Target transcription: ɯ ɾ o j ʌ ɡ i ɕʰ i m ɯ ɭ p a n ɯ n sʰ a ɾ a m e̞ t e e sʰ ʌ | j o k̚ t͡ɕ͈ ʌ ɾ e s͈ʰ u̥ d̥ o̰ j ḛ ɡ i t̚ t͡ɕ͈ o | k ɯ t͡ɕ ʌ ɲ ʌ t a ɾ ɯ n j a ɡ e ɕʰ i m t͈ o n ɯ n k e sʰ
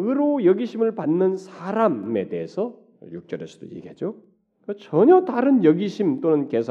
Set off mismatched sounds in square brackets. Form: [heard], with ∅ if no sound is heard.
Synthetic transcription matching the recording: ɯ ɾ o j ʌ ɡ i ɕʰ i m ɯ ɭ p a [nː] ɯ n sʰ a ɾ a m e̞ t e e sʰ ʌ | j [u] k̚ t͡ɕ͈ ʌ ɾ e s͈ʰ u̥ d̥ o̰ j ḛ ɡ [e] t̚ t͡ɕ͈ o | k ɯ t͡ɕ ʌ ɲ ʌ t a ɾ ɯ n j [ʌ] ɡ [i] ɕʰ i m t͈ o n ɯ n k e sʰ